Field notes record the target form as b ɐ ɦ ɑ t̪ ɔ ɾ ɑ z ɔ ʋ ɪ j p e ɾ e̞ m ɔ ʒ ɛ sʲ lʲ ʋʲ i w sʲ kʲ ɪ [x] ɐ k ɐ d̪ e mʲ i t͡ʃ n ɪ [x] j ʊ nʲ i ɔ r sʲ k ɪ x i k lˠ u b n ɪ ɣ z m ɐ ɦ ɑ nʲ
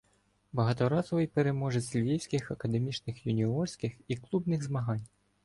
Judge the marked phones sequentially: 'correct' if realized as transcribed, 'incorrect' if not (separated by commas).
correct, correct